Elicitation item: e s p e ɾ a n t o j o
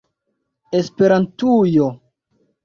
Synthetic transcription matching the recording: e s p e ɾ a n t u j o